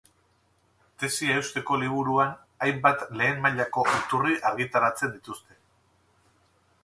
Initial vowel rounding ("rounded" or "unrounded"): unrounded